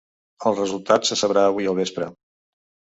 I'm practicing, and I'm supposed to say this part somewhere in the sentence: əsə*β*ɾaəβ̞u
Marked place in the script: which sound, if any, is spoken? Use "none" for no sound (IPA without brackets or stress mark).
β